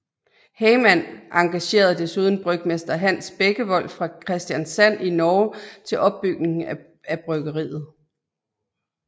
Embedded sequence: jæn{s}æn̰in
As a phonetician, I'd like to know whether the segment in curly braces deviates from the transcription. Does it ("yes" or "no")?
no